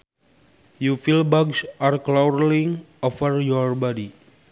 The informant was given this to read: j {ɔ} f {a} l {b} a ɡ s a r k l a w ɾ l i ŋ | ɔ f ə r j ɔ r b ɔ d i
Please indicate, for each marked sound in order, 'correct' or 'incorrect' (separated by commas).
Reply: incorrect, incorrect, correct